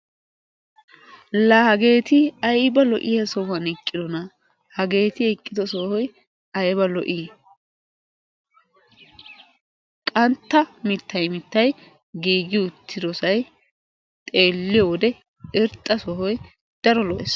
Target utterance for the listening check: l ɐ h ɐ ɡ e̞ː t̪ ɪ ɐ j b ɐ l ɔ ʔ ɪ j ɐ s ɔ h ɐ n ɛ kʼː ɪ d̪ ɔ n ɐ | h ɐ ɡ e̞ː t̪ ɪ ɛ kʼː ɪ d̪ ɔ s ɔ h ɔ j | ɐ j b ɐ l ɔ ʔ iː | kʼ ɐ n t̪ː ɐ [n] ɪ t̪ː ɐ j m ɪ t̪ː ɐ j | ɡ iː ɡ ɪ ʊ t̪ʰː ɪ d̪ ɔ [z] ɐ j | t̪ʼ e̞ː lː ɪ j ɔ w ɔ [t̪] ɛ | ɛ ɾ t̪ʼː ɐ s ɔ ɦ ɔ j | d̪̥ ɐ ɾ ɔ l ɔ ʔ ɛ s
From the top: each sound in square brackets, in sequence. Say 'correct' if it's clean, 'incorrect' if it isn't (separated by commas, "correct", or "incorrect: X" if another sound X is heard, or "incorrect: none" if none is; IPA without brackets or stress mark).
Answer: incorrect: m, incorrect: s, incorrect: d̪